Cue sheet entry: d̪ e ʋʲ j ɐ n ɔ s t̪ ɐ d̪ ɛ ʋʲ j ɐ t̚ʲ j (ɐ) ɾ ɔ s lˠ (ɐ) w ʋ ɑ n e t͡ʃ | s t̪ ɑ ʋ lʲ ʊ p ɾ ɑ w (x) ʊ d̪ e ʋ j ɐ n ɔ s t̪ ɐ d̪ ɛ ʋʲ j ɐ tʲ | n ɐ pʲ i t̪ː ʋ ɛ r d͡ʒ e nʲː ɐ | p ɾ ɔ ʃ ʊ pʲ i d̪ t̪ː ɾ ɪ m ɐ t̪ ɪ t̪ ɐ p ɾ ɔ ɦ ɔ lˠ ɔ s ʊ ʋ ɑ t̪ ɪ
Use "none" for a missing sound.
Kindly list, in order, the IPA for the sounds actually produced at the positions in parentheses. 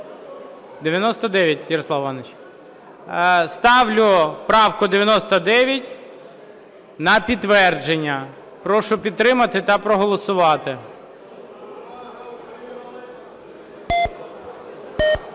ɐ, ɑ, k

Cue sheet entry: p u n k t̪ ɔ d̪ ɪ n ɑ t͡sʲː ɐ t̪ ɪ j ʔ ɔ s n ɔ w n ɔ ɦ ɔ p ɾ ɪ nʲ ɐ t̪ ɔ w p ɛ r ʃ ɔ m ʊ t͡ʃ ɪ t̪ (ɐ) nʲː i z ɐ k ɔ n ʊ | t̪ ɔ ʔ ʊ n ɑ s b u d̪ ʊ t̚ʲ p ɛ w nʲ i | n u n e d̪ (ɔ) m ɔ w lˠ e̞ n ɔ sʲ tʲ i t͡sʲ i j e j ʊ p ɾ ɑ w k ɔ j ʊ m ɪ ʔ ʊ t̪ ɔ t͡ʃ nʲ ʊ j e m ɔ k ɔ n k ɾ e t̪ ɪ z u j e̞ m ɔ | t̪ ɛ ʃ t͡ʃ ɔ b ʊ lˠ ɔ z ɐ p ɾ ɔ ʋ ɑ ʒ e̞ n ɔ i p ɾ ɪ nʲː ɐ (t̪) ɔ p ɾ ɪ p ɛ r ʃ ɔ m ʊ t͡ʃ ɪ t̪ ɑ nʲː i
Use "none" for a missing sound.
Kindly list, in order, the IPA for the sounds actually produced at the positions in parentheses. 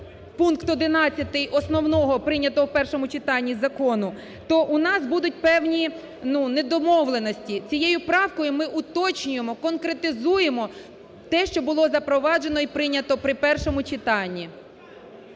ɑ, ɔ, t̪

